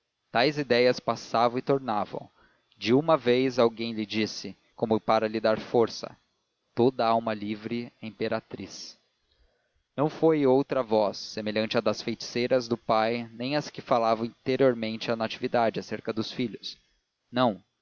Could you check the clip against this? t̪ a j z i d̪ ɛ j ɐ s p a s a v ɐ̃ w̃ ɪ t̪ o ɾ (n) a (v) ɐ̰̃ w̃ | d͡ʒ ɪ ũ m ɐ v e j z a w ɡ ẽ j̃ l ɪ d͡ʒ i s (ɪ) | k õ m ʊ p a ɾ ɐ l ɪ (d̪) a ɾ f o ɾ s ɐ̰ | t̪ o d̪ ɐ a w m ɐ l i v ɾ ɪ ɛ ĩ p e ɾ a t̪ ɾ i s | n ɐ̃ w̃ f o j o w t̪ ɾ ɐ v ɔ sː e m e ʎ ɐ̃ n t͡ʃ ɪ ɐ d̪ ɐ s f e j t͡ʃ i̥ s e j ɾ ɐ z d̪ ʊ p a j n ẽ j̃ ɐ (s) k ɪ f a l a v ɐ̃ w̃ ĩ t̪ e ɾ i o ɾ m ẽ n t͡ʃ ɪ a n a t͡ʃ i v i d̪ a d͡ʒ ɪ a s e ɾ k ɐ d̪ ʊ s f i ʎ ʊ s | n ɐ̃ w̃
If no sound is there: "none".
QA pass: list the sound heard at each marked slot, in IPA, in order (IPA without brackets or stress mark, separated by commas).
n, v, ɪ, d̪, s